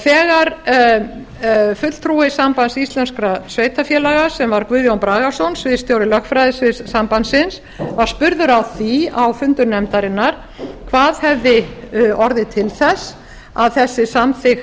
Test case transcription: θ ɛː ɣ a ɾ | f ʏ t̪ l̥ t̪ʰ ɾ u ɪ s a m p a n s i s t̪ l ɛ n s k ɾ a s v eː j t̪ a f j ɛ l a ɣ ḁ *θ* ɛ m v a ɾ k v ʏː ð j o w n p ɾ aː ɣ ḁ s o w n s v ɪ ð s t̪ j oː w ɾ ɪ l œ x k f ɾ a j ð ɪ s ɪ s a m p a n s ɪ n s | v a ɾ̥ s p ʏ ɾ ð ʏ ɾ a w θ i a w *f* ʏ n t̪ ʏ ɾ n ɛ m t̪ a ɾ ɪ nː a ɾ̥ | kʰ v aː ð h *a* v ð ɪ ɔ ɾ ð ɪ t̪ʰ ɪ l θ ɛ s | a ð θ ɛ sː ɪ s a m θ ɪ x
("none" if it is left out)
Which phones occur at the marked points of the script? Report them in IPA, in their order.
s, f, ɛ

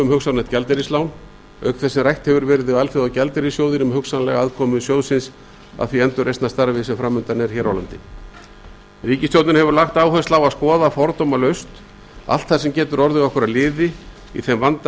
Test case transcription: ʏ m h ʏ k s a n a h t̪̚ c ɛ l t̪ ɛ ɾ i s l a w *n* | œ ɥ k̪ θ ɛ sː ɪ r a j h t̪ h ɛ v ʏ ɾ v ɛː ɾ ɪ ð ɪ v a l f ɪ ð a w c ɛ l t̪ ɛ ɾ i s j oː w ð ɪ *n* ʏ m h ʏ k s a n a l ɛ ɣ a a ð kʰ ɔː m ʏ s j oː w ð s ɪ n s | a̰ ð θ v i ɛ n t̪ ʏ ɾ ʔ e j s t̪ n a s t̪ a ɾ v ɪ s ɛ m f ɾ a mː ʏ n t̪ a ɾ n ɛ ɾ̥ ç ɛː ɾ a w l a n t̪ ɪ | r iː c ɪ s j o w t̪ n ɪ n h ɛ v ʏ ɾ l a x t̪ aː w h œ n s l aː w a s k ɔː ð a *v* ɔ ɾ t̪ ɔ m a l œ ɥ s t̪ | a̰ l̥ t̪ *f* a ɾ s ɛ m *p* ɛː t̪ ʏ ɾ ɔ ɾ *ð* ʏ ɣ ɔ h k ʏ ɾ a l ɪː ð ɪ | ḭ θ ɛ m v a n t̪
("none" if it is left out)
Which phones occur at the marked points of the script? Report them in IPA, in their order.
n, n, f, θ, c, ð

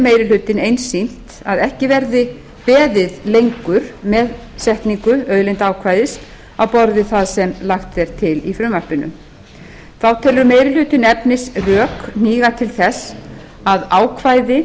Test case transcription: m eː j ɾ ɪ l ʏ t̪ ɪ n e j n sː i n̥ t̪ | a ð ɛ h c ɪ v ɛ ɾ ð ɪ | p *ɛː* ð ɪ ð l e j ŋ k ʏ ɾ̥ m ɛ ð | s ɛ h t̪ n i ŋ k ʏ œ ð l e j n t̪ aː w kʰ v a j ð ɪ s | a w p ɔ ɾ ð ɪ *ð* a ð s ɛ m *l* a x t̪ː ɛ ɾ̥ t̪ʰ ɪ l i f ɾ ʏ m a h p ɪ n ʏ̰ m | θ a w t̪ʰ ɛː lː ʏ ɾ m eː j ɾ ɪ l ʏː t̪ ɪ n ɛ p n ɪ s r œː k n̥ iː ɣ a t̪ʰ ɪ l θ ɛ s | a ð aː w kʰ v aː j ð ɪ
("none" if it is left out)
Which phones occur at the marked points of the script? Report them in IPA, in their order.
ɛː, θ, l

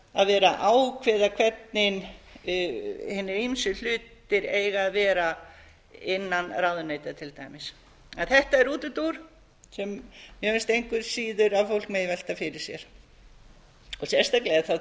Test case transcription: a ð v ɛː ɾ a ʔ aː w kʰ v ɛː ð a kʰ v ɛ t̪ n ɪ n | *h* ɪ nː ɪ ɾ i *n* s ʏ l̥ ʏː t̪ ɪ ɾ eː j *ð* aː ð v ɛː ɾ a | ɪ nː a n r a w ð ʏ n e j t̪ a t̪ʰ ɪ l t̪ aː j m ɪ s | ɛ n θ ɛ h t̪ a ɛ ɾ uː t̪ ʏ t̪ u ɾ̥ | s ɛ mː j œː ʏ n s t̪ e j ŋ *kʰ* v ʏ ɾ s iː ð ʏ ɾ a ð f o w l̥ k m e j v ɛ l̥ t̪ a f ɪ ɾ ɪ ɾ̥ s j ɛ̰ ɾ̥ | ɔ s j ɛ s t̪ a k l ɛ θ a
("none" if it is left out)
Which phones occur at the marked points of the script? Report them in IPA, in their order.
h, m, ɣ, k

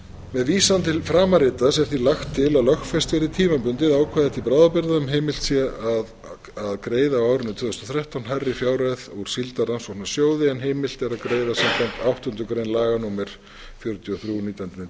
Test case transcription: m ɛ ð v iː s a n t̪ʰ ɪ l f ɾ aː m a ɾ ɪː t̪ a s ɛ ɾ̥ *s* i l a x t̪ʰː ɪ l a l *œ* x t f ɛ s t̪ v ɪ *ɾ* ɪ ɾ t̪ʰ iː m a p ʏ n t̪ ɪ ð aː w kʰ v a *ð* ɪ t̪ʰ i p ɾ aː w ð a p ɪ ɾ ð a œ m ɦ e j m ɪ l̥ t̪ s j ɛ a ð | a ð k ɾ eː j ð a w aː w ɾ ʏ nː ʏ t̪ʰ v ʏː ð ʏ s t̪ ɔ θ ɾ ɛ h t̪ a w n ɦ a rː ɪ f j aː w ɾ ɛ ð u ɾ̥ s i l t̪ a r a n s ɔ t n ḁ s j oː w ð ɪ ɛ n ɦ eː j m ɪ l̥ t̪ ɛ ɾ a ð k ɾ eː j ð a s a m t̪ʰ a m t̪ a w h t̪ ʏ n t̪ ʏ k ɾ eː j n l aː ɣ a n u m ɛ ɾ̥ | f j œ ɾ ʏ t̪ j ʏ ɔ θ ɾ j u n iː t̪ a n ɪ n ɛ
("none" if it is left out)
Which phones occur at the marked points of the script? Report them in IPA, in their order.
θ, œ, ɾ, ð

